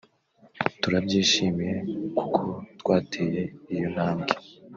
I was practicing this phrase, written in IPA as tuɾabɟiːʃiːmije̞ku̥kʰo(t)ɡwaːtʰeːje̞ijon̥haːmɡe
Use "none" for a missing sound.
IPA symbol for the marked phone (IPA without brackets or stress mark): t